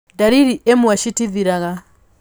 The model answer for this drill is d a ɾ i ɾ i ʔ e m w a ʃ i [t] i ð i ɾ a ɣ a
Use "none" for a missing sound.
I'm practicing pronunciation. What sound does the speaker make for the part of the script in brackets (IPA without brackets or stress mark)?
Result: t